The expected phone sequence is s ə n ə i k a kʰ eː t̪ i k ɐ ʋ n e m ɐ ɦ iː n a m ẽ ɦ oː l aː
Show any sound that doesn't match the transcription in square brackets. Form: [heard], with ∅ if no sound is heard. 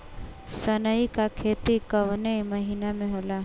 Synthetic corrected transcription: s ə n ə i k a kʰ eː t̪ i k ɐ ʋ n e m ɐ ɦ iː n a m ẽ ɦ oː l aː